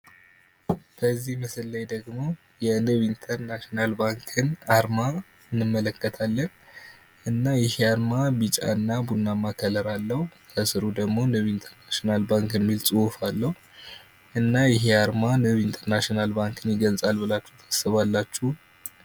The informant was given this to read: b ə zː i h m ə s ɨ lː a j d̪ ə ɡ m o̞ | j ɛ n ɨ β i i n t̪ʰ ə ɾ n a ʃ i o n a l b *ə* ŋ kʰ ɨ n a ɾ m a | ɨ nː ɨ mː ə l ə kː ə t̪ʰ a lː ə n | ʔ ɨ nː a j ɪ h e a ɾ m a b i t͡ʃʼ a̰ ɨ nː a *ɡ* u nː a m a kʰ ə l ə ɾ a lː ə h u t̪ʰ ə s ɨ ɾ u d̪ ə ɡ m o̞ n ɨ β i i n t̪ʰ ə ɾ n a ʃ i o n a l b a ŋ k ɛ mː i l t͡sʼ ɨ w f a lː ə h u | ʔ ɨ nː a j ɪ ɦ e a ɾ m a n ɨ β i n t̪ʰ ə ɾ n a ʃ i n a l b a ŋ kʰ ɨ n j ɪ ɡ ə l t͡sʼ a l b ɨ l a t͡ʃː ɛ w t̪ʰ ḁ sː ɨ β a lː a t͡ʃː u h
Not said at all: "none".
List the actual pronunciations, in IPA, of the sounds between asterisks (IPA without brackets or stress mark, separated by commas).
a, b